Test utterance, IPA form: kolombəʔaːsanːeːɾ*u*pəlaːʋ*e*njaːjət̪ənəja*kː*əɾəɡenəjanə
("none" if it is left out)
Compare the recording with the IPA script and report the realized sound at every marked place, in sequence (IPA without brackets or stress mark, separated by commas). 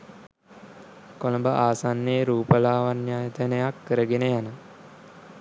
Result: uː, a, kː